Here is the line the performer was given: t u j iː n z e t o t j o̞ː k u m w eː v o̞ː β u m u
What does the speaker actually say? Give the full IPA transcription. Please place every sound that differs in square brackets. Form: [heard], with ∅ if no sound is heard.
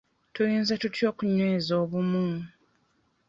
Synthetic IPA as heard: t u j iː n z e t [u] t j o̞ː k u [ɲ] w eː [z] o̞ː β u m u